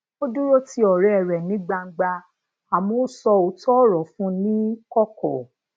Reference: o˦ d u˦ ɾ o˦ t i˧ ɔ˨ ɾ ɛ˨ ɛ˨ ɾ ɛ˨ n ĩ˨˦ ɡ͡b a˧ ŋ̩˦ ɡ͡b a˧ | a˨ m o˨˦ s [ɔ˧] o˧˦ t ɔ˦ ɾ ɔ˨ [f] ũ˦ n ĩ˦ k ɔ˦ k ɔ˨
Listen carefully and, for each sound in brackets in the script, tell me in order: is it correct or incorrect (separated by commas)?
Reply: correct, correct